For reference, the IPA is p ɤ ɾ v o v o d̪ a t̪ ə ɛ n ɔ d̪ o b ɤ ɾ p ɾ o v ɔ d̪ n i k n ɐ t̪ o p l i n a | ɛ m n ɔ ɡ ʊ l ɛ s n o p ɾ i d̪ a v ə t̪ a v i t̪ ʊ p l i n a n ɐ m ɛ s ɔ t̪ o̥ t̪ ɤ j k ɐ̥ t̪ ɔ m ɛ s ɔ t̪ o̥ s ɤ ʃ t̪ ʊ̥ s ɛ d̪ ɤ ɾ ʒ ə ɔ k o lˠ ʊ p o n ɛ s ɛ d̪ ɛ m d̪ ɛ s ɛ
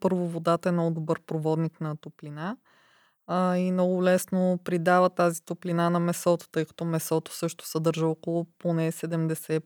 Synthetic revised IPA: p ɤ ɾ v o v o d̪ a t̪ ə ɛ n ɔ d̪ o b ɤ ɾ p ɾ o v ɔ d̪ n i k n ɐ t̪ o p l i n a | i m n ɔ ɡ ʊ l ɛ s n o p ɾ i d̪ a v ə t̪ a z i t̪ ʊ p l i n a n ɐ m ɛ s ɔ t̪ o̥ t̪ ɤ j k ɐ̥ t̪ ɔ m ɛ s ɔ t̪ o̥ s ɤ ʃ t̪ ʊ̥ s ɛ d̪ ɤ ɾ ʒ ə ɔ k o lˠ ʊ p o n ɛ s ɛ d̪ ɛ m d̪ ɛ s ɛ